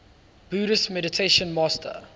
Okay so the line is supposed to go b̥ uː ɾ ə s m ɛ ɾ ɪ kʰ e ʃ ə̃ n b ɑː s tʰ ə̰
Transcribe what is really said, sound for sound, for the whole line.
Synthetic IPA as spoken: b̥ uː ɾ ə s m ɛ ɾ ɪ tʰ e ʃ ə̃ n m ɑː s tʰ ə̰